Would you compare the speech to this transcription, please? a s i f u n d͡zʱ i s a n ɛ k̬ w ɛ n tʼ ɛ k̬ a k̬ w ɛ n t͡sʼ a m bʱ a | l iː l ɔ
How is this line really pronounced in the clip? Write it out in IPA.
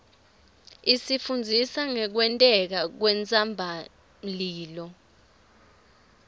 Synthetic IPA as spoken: i s i f u n d͡zʱ i s a ŋ ɛ k̬ w ɛ n tʼ ɛ k̬ a k̬ w ɛ n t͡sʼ a m bʱ a | l iː l ɔ